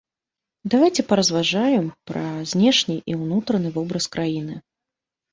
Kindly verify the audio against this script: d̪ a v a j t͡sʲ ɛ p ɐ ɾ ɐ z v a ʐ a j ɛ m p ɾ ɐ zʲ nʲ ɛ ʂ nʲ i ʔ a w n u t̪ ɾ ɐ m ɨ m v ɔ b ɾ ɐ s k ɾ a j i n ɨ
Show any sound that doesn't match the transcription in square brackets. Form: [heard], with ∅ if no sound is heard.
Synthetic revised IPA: d̪ a v a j t͡sʲ ɛ p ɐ ɾ ɐ z v a ʐ a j ɛ m p ɾ ɐ zʲ nʲ ɛ ʂ nʲ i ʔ [i] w n u t̪ ɾ ɐ [n] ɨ [∅] v ɔ b ɾ ɐ s k ɾ a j i n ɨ